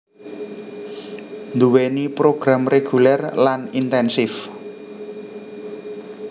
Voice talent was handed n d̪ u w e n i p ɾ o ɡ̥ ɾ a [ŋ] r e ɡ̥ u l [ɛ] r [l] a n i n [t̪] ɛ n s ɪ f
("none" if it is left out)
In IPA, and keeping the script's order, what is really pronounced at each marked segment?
m, ɛ, l, t̪

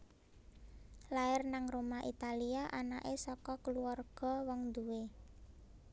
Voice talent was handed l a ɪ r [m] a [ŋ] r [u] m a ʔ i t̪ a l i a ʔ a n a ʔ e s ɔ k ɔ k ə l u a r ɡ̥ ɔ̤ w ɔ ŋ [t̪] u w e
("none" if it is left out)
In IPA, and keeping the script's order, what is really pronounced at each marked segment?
n, ŋ, o, d̪

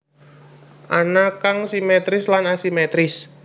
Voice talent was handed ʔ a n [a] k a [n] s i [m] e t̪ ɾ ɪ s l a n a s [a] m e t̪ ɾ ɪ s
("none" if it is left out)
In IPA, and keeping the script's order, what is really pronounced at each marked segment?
a, ŋ, m, i

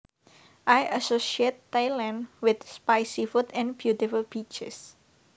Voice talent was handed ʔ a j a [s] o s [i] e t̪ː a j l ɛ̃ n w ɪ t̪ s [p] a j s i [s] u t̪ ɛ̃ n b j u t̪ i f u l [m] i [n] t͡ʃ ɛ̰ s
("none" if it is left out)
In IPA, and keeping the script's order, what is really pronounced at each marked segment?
s, i, p, f, b, none

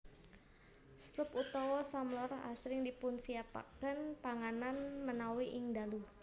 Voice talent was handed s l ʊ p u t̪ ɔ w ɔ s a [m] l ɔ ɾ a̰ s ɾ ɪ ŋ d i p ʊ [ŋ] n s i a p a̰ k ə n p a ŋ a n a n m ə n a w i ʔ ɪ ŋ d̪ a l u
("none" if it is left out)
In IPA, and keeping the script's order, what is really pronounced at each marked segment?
m, none

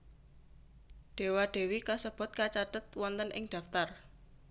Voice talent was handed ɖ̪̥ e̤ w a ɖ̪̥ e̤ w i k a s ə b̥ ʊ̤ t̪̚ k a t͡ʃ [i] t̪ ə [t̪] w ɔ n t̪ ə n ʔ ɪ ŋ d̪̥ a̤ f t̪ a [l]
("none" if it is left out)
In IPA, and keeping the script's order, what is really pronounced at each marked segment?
a, t̪, r

